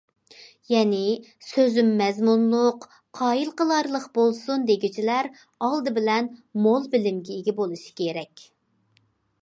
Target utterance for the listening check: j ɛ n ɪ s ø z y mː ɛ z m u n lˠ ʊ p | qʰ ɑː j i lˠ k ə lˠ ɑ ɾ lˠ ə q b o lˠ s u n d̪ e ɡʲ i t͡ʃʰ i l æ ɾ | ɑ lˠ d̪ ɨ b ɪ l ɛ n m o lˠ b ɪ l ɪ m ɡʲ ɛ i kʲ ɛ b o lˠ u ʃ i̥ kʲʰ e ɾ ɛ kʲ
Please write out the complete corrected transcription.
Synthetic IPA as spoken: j ɛ n ɪ s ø z y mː ɛ z m u n lˠ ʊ q | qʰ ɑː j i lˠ q ə lˠ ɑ ɾ lˠ ə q b o lˠ s u n d̪ e ɡʲ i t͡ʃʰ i l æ ɾ | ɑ lˠ d̪ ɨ b ɪ l ɛ n m o lˠ b ɪ l ɪ m ɡʲ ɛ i ɡʲ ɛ b o lˠ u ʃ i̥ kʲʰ e ɾ ɛ kʲ

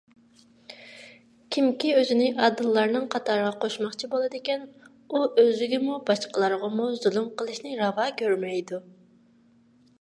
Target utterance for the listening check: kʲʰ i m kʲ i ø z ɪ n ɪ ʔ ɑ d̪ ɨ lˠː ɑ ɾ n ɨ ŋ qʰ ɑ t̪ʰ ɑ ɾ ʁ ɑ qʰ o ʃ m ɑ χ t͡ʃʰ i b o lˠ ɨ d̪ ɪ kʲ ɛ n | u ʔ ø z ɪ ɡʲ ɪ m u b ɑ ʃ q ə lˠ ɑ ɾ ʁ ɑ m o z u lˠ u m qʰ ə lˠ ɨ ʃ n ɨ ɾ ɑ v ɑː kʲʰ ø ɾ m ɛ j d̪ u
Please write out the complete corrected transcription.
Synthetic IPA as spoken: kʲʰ i m kʲ i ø z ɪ n ɪ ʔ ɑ d̪ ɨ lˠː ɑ ɾ n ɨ ŋ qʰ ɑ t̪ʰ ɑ ɾ ʁ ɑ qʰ o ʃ m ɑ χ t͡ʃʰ i b o lˠ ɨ d̪ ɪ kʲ ɛ n | u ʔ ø z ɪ ɡʲ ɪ m u b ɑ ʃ q ə lˠ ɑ ɾ ʁ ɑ m u z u lˠ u m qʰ ə lˠ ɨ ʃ n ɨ ɾ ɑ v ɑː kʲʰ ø ɾ m ɛ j d̪ u

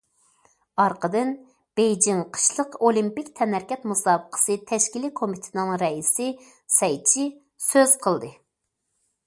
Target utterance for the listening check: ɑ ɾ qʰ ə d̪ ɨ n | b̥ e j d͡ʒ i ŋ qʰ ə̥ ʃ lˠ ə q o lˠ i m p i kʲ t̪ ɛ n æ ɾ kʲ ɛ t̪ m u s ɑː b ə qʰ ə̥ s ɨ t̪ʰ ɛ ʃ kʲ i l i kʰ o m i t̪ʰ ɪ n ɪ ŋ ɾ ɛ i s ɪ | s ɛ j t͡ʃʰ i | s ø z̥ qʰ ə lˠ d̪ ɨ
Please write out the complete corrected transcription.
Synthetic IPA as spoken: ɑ ɾ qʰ ə d̪ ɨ n | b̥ e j d͡ʒ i ŋ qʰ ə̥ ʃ lˠ ə q o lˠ i m p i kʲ t̪ʰ ɛ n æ ɾ kʲ ɛ t̪ m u s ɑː b ə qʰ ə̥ s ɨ t̪ʰ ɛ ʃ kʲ i l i kʰ o m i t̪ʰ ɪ n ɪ ŋ ɾ ɛ i s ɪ | s ɛ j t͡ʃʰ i | s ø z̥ qʰ ə lˠ d̪ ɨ

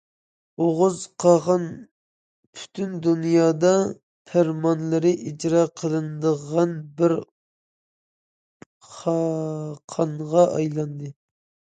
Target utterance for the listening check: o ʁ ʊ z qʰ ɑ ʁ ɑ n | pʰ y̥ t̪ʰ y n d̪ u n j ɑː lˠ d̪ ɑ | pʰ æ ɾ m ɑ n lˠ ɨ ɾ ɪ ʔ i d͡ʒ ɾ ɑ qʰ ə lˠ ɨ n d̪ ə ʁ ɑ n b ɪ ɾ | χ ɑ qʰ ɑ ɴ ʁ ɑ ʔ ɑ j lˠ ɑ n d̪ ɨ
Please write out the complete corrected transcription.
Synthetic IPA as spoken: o ʁ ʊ z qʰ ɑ ʁ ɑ n | pʰ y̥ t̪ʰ y n d̪ u n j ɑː d̪ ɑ | pʰ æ ɾ m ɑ n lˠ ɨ ɾ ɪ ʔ i d͡ʒ ɾ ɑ qʰ ə lˠ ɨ n d̪ ə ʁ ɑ n b ɪ ɾ | χ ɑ qʰ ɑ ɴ ʁ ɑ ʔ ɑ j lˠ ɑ n d̪ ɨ

